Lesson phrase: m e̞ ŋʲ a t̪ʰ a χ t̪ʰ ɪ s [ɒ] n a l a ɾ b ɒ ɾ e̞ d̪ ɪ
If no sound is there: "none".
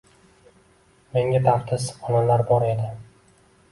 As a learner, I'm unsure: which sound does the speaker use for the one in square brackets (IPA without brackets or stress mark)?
ɒ